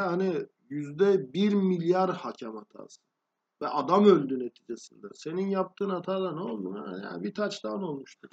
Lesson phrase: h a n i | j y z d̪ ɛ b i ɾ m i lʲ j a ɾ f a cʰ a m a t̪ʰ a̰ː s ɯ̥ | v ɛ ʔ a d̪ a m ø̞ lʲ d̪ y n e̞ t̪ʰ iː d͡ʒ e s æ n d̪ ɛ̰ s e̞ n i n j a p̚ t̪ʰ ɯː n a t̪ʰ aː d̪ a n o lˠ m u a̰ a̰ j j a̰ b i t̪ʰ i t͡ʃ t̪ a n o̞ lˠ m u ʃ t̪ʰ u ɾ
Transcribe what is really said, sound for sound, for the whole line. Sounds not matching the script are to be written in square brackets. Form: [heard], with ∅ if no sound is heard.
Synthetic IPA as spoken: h a n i | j y z d̪ ɛ b i ɾ m i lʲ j a ɾ [h] a cʰ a m a t̪ʰ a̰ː s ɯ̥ | v ɛ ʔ a d̪ a m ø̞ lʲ d̪ y n e̞ t̪ʰ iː d͡ʒ e s [i] n d̪ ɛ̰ s e̞ n i n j a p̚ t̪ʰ ɯː n a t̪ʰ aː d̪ a n o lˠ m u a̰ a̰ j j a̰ b i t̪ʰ [a] t͡ʃ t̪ a n o̞ lˠ m u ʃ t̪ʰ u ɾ